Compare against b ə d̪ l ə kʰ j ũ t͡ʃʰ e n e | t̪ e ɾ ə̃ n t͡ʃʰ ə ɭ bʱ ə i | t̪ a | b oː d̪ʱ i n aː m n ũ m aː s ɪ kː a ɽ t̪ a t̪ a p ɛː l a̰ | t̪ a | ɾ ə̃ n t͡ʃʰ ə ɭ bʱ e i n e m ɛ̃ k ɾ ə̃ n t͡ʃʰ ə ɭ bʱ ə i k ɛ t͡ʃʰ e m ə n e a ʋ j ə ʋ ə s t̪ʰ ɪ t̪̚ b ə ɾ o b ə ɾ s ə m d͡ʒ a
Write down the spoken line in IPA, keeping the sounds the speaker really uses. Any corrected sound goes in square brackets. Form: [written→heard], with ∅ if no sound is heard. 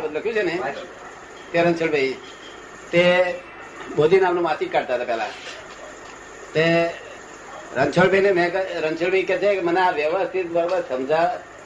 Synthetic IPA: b ə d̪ l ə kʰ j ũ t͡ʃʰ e n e | t̪ e ɾ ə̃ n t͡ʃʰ ə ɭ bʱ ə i | t̪ [a→e] | b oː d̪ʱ i n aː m n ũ m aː s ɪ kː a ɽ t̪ a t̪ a p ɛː l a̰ | t̪ [a→e] | ɾ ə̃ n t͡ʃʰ ə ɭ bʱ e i n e m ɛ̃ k ɾ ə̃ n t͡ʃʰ ə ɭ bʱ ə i k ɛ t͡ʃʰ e m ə n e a ʋ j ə ʋ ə s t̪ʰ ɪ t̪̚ b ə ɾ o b ə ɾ s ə m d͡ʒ a